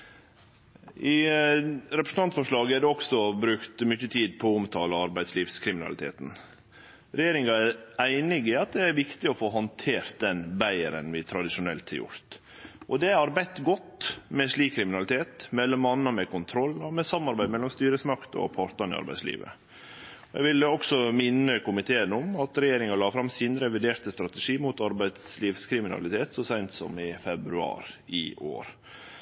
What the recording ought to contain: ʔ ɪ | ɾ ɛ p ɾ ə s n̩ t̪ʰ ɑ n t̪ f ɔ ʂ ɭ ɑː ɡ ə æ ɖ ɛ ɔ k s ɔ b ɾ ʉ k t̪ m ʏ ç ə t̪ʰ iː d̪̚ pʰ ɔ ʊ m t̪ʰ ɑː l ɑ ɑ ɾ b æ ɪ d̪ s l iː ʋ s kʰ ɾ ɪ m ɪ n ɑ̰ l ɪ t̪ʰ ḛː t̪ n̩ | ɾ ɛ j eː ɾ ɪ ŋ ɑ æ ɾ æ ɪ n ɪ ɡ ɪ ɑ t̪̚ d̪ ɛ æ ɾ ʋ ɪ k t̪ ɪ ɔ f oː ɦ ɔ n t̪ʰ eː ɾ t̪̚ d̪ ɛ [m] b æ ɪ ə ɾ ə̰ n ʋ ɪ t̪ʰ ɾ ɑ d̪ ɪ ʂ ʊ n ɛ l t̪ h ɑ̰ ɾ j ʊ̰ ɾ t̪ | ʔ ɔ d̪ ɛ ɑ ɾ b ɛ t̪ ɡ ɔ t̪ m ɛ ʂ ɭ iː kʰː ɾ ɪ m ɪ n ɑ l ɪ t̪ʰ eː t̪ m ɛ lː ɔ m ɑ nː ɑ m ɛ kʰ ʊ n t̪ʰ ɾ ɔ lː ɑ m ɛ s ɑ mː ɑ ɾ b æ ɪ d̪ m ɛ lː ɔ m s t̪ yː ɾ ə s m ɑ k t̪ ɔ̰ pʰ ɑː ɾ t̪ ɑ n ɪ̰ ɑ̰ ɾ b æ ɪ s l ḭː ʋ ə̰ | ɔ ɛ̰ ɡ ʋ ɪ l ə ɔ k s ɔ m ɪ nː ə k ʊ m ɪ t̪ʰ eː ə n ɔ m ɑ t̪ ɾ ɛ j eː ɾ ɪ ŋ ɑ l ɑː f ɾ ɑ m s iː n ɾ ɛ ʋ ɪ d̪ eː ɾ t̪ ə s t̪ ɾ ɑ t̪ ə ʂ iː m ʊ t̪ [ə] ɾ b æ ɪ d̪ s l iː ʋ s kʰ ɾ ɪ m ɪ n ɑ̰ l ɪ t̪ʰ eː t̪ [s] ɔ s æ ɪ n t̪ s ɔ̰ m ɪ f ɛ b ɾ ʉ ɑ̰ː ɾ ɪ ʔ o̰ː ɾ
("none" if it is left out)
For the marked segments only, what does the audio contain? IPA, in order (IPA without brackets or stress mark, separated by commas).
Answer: n, ɑ, s